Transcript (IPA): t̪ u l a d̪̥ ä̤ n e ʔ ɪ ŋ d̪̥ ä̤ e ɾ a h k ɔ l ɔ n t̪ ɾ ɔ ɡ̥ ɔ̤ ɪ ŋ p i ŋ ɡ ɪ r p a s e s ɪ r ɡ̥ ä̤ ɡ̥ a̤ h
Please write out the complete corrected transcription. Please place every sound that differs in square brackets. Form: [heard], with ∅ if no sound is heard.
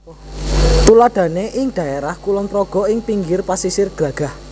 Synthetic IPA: t̪ u l a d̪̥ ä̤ n e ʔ ɪ ŋ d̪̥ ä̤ e ɾ a h k [u] l ɔ n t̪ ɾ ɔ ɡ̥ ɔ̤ ɪ ŋ p i ŋ ɡ ɪ r p a s [i] s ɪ r ɡ̥ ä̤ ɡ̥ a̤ h